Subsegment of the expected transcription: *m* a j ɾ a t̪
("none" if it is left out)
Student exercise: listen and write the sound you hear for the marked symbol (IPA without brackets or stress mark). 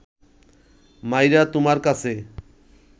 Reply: m